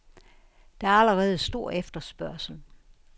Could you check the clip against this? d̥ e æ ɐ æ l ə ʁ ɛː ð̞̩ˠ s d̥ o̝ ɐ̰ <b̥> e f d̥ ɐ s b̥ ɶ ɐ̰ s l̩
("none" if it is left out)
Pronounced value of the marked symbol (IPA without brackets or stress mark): none